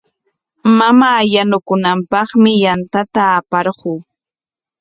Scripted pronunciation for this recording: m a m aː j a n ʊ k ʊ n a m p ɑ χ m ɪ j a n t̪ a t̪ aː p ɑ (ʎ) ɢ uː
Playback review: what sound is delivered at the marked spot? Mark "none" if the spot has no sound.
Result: ɾ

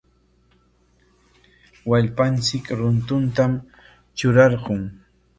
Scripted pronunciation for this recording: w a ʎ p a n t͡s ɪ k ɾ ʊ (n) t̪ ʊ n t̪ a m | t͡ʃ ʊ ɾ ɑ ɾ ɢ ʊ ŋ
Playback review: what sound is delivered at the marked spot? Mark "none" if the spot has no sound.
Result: n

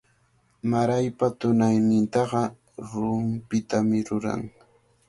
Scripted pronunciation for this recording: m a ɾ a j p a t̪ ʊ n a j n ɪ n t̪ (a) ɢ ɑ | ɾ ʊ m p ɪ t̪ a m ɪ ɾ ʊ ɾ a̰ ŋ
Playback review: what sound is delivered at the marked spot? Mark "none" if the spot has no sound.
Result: ɑ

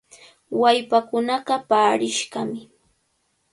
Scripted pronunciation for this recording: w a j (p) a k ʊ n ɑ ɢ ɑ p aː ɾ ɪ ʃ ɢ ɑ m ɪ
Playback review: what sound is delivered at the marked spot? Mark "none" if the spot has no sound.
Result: p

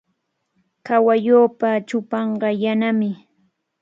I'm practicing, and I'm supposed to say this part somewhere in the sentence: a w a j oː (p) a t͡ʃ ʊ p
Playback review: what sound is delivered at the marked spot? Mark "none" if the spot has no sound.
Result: p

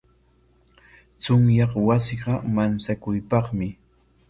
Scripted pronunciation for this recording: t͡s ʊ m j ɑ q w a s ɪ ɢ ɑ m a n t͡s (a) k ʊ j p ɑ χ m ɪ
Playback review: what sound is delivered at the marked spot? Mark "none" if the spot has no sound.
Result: a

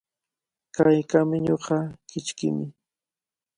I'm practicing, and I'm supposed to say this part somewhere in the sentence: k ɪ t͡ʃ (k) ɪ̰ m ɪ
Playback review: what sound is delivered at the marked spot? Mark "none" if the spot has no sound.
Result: k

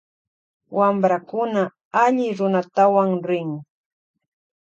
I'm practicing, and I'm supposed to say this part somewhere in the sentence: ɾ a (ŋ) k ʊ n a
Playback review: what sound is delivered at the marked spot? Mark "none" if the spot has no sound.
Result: none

